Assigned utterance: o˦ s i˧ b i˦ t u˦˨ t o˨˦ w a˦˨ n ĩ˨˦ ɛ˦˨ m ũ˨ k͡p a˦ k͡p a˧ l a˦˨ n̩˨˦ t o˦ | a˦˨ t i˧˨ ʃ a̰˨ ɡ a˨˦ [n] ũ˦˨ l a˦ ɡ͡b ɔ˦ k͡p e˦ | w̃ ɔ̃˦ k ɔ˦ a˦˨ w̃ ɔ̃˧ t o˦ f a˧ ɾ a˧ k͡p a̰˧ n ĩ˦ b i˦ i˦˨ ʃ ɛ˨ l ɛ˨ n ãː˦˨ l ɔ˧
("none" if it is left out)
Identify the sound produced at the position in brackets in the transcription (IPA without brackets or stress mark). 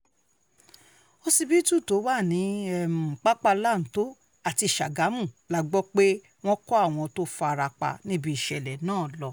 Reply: m